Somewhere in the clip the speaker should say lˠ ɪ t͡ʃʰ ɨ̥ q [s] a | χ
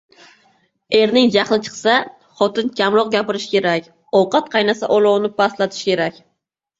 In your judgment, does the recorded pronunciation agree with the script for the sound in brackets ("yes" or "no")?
yes